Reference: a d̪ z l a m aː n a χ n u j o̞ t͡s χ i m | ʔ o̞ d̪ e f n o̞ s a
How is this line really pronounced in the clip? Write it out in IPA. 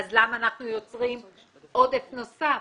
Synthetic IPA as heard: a z l a m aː n a χ n u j o̞ t͡s ʁ i m | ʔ o̞ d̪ e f n o̞ s a